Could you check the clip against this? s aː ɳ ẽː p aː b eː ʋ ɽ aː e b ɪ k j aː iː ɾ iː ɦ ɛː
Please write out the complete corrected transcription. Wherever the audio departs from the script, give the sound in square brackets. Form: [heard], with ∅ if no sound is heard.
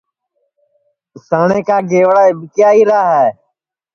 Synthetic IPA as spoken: s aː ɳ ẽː [k] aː [ɡ] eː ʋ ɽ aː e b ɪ k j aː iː ɾ [aː] ɦ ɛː